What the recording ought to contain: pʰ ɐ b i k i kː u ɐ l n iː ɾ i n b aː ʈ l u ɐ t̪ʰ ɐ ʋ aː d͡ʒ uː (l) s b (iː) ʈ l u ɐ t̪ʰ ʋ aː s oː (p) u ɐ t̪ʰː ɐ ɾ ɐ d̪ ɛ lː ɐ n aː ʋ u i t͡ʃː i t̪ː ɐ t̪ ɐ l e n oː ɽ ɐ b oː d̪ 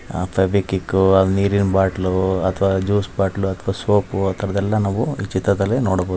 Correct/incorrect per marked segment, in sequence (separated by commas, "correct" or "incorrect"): incorrect, incorrect, correct